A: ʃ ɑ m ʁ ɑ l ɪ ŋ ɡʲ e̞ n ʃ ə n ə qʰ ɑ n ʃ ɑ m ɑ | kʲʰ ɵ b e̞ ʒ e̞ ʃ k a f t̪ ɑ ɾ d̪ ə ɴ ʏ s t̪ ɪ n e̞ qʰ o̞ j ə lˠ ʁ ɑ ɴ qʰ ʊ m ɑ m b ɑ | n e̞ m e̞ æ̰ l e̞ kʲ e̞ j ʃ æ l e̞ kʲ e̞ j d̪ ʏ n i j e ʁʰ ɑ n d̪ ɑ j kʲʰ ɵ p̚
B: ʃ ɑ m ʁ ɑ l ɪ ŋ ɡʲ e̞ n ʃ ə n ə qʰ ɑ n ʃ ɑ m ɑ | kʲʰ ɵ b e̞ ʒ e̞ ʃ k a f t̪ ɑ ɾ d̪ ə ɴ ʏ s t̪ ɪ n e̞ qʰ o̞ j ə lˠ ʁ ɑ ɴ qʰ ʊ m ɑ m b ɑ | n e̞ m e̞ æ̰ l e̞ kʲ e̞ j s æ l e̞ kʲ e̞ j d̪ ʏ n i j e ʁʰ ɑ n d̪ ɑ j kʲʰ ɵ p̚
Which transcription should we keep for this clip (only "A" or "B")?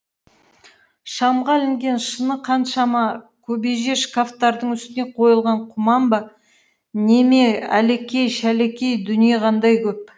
A